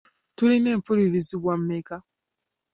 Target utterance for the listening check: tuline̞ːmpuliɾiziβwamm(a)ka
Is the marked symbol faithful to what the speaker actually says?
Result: no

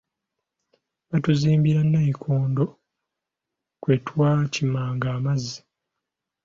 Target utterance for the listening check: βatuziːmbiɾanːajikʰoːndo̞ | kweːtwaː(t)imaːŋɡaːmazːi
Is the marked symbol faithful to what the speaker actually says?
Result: no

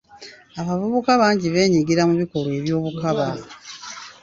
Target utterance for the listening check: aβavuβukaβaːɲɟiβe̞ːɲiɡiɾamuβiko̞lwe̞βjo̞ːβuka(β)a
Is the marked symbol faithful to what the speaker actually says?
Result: yes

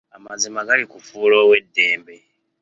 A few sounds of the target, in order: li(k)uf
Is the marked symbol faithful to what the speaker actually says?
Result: yes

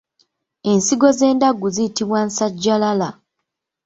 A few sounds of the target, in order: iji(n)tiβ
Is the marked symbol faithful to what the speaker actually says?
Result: no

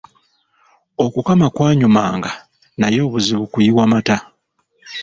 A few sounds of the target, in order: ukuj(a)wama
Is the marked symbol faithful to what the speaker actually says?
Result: no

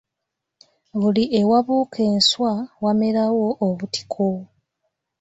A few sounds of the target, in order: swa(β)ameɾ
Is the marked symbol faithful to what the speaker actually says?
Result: no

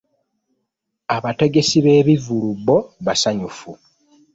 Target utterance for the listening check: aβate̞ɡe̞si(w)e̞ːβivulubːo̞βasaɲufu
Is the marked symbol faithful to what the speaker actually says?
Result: no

